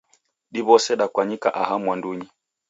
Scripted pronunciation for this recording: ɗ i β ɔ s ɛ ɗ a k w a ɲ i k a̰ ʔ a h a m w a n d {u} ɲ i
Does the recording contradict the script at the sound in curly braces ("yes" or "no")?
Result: no